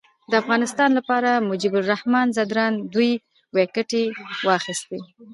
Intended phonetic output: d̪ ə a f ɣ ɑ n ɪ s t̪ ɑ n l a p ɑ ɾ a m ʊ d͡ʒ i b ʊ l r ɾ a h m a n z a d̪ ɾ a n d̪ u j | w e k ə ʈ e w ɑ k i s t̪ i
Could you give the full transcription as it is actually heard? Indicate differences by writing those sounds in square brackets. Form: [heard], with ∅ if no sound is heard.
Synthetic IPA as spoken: d̪ ə a f ɣ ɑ n ɪ s t̪ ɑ n l a p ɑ ɾ a m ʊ d͡ʒ i b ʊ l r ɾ a h m [ɑ] n z a d̪ ɾ [ɑ] n d̪ u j | w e k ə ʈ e w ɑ [x] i s t̪ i

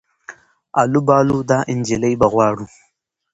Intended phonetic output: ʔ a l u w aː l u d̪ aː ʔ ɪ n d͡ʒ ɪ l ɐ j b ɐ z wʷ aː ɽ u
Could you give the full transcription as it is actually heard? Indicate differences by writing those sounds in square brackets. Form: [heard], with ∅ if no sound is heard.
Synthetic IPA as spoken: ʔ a l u [b] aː l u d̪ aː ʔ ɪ n d͡ʒ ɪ l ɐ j b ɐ [ɣ] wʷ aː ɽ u

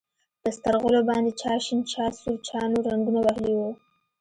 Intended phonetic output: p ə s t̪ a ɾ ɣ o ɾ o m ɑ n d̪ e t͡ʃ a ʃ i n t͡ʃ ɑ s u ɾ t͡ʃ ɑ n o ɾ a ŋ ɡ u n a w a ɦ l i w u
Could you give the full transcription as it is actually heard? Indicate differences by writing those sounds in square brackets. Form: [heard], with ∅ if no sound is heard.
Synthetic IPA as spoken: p ə s t̪ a ɾ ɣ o [l] o [b] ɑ n d̪ e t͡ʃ [ɑ] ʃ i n t͡ʃ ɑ s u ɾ t͡ʃ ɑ n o ɾ a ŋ ɡ u n a w a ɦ l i w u

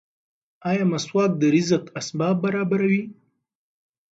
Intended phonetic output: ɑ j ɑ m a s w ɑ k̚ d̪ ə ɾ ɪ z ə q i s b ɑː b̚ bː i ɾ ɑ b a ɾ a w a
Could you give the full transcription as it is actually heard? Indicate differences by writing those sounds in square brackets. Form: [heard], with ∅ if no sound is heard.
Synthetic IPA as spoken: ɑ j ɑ m a s w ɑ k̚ d̪ ə ɾ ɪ z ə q [a] s b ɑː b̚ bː [a] ɾ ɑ b a ɾ a w [i]

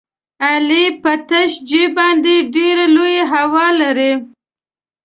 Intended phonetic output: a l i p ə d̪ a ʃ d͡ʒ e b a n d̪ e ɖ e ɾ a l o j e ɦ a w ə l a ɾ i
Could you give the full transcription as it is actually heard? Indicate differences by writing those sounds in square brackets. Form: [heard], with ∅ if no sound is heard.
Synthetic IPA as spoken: a l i p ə [t̪] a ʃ d͡ʒ e b [ɑ] n d̪ e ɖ e ɾ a l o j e ɦ a w [ɑ] l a ɾ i

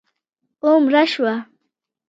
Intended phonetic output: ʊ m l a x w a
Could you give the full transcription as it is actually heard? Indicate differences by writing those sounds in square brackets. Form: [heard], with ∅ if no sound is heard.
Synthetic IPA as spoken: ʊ m [ɾ] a [ʃ] w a

